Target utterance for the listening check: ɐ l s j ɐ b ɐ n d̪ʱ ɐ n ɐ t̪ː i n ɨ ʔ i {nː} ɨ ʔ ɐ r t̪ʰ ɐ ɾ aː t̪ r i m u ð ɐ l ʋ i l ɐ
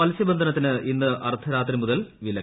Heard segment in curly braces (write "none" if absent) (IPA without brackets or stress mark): nː